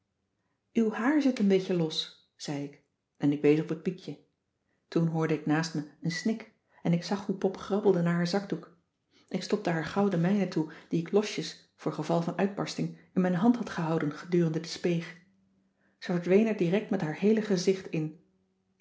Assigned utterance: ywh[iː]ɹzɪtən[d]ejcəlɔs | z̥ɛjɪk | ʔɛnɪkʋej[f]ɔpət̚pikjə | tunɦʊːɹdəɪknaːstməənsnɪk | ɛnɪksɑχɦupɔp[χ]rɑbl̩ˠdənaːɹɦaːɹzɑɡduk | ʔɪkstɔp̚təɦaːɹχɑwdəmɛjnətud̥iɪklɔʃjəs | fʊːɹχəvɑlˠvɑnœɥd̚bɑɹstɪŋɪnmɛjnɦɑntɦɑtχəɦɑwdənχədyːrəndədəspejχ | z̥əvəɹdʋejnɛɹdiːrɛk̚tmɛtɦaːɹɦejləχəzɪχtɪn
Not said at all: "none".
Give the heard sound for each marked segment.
aː, b, s, χ

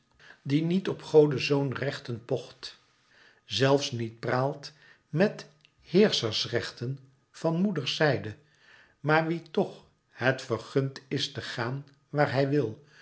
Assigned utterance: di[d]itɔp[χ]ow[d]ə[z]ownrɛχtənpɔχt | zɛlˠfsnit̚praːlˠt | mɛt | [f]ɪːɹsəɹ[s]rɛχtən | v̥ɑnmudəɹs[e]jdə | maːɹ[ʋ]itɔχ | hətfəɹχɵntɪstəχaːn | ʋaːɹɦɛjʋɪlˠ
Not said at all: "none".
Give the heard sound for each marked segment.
n, χ, d, z, h, s, ɛ, ʋ

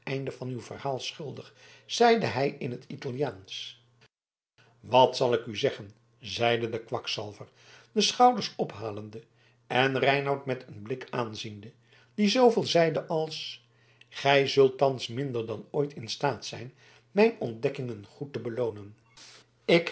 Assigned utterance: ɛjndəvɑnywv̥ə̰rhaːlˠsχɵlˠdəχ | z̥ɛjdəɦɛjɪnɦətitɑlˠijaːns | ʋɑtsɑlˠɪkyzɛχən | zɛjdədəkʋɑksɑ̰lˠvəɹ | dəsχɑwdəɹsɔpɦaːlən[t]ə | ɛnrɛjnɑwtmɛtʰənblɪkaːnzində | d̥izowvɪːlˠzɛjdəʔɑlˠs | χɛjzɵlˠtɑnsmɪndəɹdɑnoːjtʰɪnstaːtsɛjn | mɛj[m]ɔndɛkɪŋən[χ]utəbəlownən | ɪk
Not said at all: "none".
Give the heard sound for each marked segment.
d, n, χ

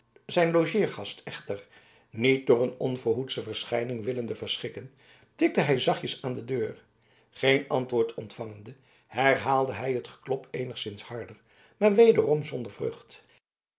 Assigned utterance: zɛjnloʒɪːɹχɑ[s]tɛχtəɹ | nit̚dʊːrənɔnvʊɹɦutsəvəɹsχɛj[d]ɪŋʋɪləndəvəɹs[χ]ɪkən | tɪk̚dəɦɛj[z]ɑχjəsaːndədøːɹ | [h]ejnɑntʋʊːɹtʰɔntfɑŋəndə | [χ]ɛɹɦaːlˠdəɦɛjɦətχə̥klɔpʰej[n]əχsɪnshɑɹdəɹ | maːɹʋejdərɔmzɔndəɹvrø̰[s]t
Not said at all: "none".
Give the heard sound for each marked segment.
s, n, χ, z, χ, h, n, χ

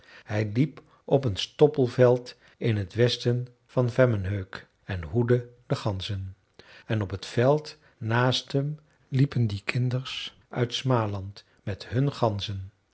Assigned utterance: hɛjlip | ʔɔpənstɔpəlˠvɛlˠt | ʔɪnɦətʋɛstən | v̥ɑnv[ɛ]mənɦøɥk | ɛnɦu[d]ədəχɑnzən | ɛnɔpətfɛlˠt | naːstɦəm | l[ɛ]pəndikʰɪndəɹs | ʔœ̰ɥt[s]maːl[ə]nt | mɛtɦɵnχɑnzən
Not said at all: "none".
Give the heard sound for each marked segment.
ɛ, d, i, s, ɑ

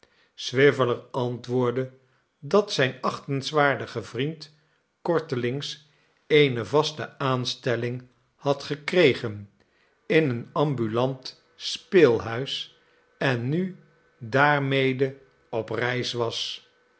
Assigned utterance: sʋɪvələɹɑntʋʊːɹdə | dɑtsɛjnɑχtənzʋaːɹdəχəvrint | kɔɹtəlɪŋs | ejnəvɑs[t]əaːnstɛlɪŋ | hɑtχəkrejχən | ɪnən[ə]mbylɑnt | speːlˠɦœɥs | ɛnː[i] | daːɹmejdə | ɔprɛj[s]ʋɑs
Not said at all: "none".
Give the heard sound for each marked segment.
t, ɑ, y, s

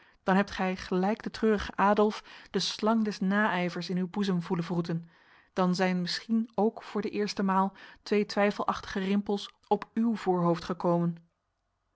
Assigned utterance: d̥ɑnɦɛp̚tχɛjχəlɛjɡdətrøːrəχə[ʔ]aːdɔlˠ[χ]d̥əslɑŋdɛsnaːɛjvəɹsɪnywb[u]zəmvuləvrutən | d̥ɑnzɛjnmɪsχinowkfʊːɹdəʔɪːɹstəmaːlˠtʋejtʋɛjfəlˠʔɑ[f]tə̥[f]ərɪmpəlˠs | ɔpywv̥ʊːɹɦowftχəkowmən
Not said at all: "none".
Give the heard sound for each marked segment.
ʔ, f, u, χ, χ

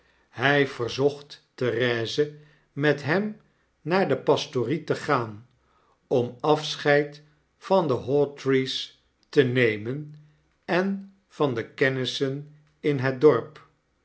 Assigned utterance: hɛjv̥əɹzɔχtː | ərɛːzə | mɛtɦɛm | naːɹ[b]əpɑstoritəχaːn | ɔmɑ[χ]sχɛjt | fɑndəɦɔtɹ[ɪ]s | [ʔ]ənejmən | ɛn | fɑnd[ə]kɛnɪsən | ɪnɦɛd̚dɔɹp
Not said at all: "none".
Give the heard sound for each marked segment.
d, f, i, t, ə

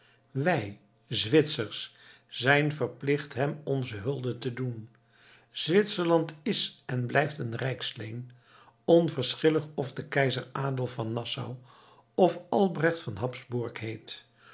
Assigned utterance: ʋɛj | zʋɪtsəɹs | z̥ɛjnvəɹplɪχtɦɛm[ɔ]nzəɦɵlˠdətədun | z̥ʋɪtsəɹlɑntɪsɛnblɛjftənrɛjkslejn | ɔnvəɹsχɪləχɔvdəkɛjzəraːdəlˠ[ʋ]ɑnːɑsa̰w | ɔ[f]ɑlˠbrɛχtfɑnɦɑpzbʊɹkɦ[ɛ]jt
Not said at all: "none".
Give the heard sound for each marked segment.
ɔ, v, f, e

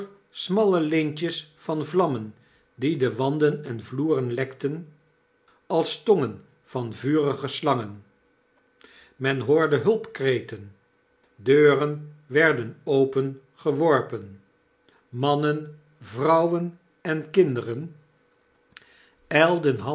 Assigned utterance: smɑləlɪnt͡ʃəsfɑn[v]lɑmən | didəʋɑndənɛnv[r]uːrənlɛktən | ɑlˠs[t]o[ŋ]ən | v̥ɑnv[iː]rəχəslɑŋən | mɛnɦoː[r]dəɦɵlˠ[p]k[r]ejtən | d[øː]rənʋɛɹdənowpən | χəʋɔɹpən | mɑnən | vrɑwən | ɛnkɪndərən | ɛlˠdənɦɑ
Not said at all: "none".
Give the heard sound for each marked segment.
v, l, t, ŋ, yː, ɹ, p, r, øː

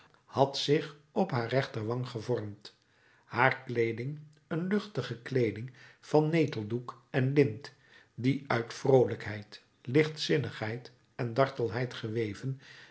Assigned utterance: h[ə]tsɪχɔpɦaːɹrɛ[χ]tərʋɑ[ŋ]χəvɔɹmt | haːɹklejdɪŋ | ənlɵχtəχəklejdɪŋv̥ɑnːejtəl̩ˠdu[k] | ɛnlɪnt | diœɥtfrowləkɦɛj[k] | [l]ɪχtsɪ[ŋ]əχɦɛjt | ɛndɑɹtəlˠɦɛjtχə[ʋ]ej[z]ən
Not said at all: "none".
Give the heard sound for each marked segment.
ɑ, χ, ŋ, k, t, l, n, ʋ, v

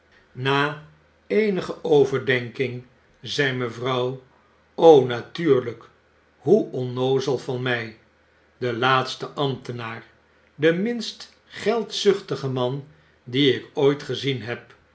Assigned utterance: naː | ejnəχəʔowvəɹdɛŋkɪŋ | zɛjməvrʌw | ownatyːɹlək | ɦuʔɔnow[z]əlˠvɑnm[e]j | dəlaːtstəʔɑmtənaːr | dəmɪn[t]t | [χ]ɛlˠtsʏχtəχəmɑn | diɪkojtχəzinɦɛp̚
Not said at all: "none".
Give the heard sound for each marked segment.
z, ɛ, s, χ

